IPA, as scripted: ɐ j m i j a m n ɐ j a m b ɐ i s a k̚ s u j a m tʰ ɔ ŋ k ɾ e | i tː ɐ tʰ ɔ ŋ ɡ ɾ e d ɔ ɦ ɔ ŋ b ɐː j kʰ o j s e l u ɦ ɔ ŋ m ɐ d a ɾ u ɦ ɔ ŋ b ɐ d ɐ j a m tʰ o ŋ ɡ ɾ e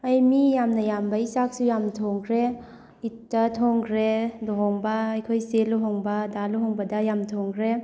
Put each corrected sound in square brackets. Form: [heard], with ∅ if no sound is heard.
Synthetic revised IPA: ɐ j m i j a m n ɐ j a m b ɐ i s a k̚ s u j a m tʰ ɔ ŋ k ɾ e | i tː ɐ tʰ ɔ ŋ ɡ ɾ e d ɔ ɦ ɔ ŋ b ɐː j kʰ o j s e l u ɦ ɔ ŋ [b] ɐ d a [l] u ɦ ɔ ŋ b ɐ d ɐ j a m tʰ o ŋ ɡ ɾ e

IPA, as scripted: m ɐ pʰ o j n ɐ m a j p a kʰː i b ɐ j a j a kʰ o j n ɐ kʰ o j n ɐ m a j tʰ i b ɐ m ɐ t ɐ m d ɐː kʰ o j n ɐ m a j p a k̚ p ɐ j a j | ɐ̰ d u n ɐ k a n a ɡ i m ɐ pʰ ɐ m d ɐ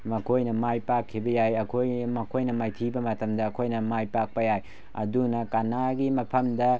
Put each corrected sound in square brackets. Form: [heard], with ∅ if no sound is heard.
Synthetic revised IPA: m ɐ [kʰ] o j n ɐ m a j p a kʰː i b ɐ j a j [ɐ] kʰ o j [m] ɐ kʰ o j n ɐ m a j tʰ i b ɐ m ɐ t ɐ m d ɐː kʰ o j n ɐ m a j p a k̚ p ɐ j a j | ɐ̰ d u n ɐ k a n a ɡ i m ɐ pʰ ɐ m d ɐ

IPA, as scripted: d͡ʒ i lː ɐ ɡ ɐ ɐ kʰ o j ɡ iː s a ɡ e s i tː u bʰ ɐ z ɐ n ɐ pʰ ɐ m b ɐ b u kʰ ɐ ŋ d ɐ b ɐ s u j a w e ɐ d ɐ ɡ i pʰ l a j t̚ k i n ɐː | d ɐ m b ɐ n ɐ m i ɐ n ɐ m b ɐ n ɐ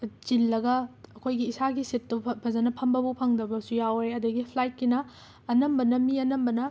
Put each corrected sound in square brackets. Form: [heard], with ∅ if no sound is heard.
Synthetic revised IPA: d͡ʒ i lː ɐ ɡ ɐ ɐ kʰ o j ɡ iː s a ɡ [i] s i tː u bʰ ɐ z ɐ n ɐ pʰ ɐ m b ɐ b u [pʰ] ɐ ŋ d ɐ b ɐ s u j a w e ɐ d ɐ ɡ i pʰ l a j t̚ k i n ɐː | [n] ɐ m b ɐ n ɐ m i ɐ n ɐ m b ɐ n ɐ

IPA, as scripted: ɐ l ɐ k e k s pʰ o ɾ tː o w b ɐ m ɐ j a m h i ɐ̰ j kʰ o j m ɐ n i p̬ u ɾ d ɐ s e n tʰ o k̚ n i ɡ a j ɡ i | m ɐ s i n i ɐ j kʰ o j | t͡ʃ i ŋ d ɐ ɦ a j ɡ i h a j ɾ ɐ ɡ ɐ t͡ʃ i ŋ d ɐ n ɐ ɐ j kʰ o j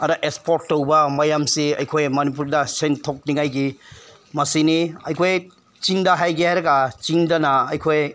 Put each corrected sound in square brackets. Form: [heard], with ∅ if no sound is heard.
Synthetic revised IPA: ɐ [ɾ] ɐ [ʔ] e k s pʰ o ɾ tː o w b ɐ m ɐ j a m [s] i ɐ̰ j kʰ o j m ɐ n i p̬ u ɾ d ɐ s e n tʰ o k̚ n i [ŋ] a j ɡ i | m ɐ s i n i ɐ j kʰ o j | t͡ʃ i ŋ d ɐ ɦ a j ɡ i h a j ɾ ɐ ɡ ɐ t͡ʃ i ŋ d ɐ n ɐ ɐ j kʰ o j

